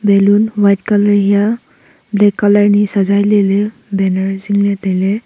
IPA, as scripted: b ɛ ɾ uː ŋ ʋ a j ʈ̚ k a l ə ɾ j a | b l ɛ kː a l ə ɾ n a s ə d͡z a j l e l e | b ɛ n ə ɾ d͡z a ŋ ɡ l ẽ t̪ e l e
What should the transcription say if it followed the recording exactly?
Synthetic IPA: b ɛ l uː n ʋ a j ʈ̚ k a l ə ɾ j a | b l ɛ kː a l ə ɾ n i s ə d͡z a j l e l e | b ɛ n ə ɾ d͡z i ŋ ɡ l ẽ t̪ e l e